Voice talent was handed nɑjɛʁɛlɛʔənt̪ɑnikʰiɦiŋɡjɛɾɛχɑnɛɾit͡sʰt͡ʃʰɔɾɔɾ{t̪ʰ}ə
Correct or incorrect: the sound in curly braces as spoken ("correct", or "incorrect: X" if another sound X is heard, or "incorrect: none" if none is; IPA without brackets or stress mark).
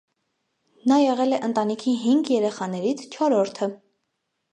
correct